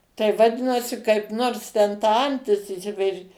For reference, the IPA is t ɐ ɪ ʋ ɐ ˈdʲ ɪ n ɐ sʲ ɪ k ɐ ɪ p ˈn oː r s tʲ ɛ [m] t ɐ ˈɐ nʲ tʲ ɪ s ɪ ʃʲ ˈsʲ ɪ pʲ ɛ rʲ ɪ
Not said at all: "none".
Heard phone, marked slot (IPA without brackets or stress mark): n